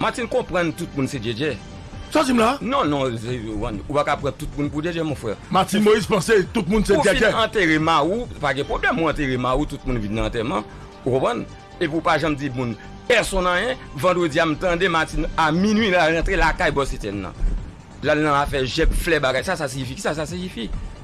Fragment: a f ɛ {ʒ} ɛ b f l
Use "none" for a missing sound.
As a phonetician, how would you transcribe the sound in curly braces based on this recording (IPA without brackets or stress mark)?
ʒ